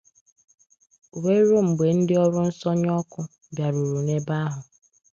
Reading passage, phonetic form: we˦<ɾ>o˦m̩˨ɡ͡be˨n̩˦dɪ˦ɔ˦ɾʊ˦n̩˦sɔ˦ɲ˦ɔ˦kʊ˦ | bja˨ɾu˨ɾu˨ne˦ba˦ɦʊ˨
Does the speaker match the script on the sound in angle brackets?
yes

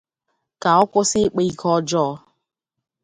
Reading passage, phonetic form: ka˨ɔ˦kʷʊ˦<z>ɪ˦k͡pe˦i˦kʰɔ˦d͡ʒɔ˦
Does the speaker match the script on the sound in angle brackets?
no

